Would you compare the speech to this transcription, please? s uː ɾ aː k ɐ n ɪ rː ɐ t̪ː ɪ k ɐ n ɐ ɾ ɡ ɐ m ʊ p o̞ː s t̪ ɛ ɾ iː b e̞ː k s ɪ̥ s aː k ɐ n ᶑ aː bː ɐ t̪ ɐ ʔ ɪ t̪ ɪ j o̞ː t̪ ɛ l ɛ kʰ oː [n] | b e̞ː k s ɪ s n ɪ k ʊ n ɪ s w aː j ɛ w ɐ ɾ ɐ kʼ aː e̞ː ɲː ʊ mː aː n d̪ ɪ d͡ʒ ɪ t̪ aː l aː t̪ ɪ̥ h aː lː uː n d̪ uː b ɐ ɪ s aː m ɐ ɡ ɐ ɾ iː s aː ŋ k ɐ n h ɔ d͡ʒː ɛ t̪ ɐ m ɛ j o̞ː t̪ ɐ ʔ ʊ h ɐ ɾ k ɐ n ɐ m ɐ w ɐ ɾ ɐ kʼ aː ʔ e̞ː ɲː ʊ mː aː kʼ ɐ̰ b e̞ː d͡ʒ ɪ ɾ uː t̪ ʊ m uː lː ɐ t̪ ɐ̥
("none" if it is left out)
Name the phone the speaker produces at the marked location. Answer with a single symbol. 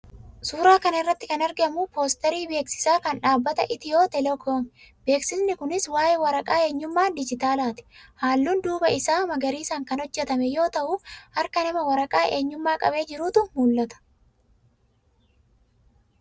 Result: m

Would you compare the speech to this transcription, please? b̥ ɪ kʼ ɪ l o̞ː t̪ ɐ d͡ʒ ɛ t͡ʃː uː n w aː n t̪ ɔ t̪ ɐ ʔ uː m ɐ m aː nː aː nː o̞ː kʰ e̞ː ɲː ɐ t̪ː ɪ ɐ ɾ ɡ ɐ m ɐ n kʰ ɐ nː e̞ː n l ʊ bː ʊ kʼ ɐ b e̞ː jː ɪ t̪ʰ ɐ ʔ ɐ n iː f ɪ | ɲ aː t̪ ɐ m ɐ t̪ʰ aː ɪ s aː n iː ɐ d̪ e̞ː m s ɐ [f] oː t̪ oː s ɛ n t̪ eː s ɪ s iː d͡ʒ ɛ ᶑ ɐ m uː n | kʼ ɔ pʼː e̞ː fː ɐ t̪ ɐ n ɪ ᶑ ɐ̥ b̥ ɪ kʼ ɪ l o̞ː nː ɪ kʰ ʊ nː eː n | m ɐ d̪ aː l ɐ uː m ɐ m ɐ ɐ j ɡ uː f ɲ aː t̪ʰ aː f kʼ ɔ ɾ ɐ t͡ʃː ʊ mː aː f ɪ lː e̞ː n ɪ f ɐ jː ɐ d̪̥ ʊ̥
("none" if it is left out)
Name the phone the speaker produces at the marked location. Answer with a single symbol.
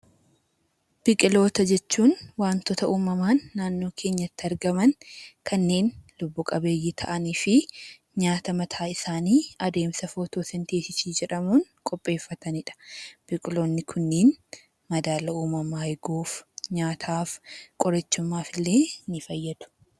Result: f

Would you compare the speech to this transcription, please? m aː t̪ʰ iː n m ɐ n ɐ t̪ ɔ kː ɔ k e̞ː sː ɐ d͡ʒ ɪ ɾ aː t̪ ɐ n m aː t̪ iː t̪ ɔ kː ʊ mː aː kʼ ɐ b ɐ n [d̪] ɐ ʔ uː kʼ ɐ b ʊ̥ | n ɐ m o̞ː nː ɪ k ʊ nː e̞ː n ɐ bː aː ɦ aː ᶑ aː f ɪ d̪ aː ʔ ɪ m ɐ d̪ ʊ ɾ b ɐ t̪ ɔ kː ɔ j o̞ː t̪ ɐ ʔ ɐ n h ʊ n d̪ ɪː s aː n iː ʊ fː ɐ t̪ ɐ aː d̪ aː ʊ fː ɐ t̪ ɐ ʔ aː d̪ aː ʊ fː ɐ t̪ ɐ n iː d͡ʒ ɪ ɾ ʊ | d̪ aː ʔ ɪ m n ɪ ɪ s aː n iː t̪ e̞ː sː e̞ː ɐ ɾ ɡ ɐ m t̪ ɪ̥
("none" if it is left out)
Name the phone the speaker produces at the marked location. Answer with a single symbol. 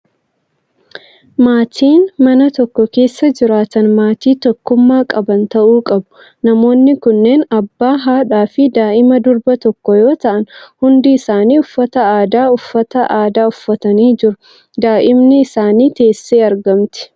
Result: t̪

